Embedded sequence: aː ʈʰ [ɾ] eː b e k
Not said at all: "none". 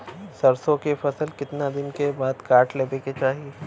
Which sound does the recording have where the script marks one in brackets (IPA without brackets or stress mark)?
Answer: l